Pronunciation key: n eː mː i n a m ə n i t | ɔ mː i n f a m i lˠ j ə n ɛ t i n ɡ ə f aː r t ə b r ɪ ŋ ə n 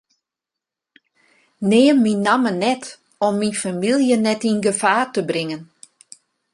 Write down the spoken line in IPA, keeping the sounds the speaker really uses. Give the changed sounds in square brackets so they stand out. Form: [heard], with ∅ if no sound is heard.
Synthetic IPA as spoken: n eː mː i n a m ə n [ɛ] t | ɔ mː i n f a m i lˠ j ə n ɛ t i n ɡ ə f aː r t ə b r ɪ ŋ ə n